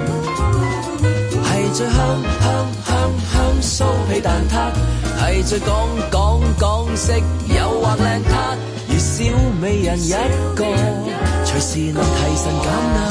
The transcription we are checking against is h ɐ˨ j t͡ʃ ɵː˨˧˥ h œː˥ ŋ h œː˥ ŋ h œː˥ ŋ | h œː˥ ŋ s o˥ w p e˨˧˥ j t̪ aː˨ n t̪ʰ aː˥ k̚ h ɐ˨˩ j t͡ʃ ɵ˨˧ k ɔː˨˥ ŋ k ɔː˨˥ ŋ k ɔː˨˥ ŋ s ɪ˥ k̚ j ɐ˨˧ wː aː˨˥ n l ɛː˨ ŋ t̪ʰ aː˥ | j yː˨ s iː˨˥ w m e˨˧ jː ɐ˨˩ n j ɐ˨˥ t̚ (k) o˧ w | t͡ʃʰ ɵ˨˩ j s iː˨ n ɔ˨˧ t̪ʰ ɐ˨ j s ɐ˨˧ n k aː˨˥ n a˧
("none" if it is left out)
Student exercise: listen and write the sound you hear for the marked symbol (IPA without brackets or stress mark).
k